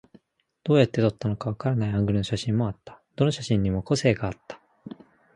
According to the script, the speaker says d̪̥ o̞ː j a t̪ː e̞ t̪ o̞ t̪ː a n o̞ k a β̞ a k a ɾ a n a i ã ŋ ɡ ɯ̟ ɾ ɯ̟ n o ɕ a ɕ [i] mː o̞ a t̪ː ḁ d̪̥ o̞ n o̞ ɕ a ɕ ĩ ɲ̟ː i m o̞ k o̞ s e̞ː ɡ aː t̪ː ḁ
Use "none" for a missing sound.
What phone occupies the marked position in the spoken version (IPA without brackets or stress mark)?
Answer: ĩ